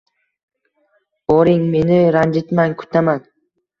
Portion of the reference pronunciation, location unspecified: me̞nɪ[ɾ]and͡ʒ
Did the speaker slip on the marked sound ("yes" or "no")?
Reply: no